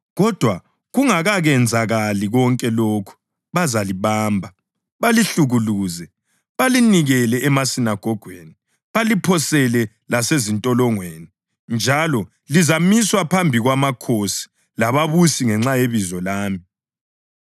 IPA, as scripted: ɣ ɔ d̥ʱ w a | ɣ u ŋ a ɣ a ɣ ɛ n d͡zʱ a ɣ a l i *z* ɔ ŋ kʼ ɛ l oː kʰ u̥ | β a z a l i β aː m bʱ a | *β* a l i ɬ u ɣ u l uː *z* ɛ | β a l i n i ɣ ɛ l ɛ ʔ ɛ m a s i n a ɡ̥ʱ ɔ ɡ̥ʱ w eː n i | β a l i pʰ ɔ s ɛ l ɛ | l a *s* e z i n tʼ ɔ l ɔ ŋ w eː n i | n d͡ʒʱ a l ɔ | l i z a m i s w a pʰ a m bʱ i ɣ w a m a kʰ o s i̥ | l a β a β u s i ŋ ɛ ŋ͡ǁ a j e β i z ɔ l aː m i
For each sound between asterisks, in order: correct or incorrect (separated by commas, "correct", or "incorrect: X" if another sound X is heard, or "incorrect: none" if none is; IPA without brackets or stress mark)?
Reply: incorrect: ɣ, correct, correct, correct